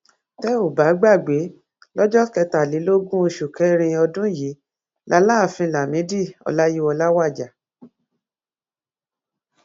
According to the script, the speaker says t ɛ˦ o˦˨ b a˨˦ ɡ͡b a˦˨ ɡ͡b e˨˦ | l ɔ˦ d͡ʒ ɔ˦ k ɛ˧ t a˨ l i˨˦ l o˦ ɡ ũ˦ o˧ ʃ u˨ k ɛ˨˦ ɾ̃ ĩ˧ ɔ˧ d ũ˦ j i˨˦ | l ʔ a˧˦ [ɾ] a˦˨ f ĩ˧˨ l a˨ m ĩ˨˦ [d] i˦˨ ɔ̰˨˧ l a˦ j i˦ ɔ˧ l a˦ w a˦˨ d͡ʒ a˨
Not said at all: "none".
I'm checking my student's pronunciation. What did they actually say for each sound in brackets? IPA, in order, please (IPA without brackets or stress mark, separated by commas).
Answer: l, d